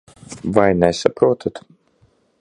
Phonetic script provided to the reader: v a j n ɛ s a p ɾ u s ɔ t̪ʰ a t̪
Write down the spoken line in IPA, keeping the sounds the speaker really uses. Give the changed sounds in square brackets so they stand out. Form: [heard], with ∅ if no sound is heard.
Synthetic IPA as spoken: v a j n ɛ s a p ɾ u [∅] ɔ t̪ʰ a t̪